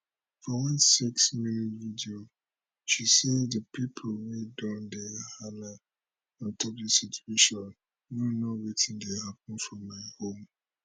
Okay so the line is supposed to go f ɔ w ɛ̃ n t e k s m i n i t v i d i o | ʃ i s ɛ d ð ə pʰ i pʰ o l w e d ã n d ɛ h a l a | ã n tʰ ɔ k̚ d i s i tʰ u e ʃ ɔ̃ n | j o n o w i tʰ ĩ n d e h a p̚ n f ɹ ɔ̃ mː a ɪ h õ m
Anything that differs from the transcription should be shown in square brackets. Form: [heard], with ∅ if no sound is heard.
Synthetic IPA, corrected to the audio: f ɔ w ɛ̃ n [s] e k s m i n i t v i d i o | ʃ i s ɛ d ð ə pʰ i pʰ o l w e d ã n d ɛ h a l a | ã n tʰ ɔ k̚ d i s i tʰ u e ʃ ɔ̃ n | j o n o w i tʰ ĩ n d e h a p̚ n f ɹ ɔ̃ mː a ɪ h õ m